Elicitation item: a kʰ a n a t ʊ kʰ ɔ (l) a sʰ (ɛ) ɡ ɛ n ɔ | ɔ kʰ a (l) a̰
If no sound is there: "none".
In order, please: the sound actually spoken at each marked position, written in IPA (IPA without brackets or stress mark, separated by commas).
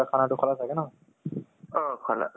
l, a, l